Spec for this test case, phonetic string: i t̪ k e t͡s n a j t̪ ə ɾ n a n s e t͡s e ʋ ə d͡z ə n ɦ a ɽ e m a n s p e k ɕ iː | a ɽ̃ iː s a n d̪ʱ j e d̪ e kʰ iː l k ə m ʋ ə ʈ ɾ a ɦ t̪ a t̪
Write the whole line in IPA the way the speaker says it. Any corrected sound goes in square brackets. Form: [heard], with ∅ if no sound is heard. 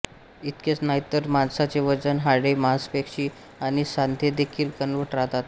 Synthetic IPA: i t̪ k e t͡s n a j t̪ ə ɾ [m] a n s [a] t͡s e ʋ ə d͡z ə n ɦ a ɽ e m a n s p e k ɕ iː | a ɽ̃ [i] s a n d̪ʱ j e d̪ e kʰ iː l k ə [n] ʋ ə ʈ ɾ a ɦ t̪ a t̪